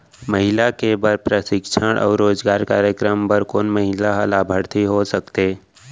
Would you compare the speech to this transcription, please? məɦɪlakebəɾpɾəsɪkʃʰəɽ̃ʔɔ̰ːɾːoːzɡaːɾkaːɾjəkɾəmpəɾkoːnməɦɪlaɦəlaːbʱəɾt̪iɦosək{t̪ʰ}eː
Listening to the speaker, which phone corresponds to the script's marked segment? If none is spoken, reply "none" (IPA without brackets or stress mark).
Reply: t̪